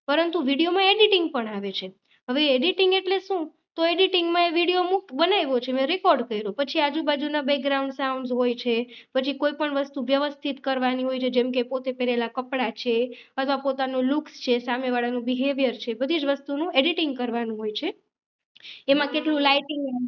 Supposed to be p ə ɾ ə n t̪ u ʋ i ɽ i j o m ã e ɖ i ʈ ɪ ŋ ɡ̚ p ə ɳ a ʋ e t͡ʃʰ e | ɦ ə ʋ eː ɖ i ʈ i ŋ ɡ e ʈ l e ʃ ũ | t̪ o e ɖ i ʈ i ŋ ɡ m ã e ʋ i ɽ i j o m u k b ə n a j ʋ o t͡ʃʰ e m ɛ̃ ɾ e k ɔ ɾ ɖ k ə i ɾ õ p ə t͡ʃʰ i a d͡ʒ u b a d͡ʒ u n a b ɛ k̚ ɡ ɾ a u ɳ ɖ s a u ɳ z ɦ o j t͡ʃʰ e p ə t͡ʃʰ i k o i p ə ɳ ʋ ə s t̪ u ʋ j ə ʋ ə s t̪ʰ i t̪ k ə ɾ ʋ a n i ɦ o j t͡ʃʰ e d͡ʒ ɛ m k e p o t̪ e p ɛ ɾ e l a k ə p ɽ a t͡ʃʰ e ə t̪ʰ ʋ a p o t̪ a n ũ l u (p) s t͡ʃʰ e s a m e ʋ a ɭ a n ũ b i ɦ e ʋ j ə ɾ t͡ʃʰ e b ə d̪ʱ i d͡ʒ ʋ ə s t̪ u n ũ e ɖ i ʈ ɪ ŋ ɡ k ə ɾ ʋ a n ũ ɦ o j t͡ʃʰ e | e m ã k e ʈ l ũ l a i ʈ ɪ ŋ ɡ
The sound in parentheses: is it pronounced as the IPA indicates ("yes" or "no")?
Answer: no